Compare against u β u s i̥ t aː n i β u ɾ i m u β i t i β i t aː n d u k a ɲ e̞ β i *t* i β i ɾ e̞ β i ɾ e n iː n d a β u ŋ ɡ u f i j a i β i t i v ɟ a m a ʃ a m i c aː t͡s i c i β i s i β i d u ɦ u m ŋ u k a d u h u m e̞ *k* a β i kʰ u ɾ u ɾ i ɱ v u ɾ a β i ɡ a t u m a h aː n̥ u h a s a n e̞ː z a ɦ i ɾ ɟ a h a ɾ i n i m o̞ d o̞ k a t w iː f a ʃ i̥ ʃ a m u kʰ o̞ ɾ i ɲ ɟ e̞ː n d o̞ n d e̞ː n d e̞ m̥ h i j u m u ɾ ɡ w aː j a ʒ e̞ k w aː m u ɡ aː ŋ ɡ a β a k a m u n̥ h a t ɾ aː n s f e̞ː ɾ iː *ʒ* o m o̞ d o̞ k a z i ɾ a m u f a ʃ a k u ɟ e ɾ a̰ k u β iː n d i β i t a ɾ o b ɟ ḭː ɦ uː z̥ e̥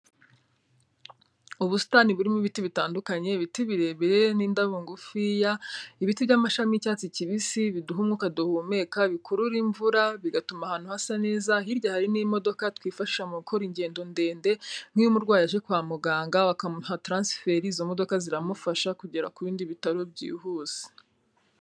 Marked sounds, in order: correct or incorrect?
correct, correct, incorrect

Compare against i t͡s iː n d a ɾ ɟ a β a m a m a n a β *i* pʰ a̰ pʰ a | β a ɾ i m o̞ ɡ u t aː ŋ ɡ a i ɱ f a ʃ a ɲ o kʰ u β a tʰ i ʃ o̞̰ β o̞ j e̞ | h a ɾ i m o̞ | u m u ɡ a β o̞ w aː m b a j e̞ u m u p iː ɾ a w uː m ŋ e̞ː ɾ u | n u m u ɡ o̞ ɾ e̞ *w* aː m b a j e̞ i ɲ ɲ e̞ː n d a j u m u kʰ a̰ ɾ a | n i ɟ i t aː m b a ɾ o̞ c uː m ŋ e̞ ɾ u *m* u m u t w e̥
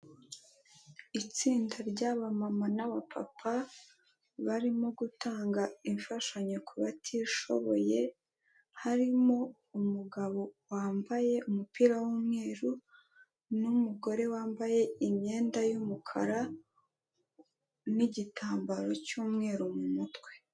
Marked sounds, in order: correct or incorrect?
incorrect, correct, correct

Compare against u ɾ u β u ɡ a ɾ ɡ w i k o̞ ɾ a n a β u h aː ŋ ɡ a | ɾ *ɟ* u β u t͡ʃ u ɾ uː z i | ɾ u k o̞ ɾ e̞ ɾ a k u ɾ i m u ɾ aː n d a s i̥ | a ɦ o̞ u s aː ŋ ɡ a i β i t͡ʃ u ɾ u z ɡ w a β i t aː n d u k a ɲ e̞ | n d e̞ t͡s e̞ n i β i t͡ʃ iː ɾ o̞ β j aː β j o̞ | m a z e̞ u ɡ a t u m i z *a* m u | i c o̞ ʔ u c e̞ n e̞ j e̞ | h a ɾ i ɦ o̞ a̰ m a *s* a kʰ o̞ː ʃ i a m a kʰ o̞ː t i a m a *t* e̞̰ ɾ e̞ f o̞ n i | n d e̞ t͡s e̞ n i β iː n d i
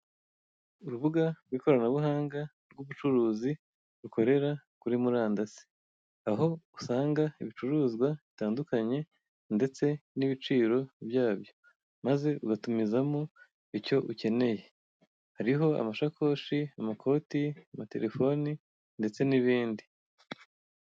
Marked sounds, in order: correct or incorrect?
incorrect, correct, incorrect, correct

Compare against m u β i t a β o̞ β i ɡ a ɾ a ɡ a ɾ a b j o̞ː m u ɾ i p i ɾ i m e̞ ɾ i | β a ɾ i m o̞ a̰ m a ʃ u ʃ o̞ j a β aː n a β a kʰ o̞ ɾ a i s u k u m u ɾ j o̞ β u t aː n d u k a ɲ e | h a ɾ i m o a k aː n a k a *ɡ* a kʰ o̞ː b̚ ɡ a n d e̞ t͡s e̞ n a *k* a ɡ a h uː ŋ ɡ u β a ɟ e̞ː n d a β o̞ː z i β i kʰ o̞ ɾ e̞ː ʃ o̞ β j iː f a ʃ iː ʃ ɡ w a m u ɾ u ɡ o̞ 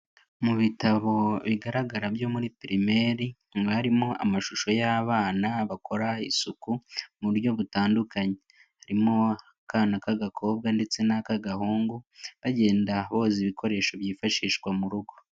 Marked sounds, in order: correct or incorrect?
correct, correct

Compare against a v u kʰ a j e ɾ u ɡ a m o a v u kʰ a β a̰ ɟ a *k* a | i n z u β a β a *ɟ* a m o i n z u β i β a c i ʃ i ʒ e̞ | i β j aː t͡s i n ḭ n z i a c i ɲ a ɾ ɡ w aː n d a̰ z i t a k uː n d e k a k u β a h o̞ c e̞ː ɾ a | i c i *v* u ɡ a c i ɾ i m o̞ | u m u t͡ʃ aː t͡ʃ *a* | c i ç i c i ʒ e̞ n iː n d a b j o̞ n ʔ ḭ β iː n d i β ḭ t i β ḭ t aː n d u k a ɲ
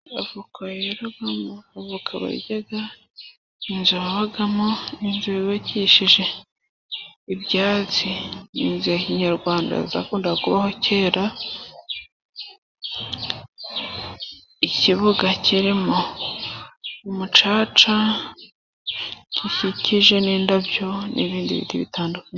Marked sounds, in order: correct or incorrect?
incorrect, incorrect, incorrect, correct

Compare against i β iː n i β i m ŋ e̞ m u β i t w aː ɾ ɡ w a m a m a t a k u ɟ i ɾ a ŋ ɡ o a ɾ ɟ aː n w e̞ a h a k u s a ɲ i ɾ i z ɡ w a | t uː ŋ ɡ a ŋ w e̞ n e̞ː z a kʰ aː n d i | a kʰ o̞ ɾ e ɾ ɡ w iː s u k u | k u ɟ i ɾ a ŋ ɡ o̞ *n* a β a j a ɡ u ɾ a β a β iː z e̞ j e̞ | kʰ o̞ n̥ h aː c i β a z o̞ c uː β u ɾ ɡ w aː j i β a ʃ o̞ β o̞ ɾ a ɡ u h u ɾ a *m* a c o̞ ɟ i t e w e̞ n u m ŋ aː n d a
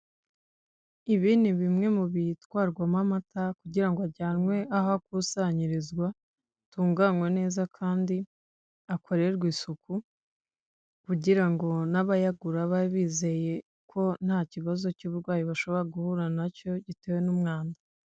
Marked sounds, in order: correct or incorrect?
correct, incorrect

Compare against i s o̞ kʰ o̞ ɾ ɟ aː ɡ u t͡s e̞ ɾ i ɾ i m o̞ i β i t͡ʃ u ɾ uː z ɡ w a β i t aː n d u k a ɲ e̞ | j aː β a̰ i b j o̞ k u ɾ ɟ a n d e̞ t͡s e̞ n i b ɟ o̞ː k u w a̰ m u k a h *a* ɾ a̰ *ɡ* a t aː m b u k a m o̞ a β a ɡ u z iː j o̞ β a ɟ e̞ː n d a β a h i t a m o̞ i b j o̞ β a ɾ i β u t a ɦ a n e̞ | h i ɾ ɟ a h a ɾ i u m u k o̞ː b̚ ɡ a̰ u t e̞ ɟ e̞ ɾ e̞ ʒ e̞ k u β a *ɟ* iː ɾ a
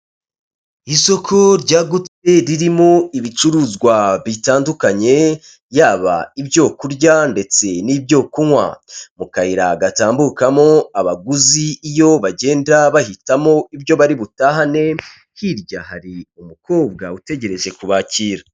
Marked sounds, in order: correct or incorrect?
incorrect, correct, incorrect

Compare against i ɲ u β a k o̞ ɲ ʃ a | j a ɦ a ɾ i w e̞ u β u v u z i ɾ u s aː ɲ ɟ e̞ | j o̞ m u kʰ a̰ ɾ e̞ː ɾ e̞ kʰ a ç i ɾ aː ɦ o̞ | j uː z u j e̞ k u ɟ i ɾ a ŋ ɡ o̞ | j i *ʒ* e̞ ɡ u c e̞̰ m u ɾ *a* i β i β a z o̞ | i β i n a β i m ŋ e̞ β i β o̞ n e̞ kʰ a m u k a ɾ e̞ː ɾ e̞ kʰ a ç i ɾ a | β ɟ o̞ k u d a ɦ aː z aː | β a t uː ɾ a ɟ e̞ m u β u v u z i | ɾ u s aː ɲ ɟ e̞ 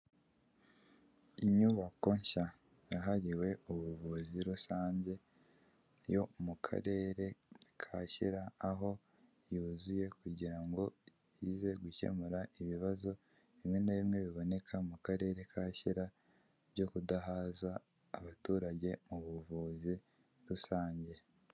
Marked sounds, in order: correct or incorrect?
incorrect, correct

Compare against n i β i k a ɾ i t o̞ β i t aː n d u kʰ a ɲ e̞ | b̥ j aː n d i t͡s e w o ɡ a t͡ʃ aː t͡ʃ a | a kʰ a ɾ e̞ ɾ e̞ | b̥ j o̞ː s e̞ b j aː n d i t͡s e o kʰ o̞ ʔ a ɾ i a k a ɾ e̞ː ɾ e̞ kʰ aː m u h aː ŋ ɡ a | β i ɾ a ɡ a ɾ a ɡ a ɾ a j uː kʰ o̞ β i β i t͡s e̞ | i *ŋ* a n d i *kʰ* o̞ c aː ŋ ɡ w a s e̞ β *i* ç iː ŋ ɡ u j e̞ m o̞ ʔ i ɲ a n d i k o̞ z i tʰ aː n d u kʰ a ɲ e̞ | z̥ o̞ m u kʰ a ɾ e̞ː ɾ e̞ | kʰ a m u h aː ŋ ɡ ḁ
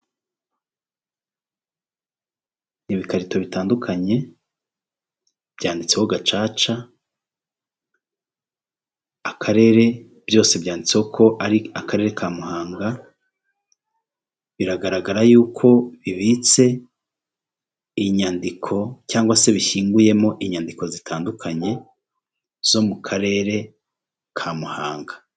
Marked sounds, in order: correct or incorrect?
incorrect, correct, correct

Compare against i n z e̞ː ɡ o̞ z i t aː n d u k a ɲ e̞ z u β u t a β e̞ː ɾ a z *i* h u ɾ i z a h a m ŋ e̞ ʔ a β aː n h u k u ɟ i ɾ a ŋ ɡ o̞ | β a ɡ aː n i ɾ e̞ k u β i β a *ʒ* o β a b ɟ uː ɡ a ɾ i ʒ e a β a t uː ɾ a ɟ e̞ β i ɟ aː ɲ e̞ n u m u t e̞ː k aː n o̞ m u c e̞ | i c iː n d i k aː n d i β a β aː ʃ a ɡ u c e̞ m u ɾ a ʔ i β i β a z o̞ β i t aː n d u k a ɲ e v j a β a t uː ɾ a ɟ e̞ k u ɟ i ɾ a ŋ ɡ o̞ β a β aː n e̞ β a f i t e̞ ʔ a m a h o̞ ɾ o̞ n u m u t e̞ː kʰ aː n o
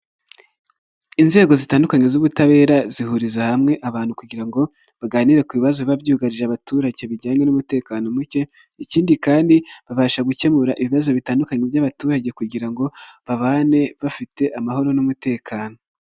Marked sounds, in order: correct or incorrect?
correct, incorrect

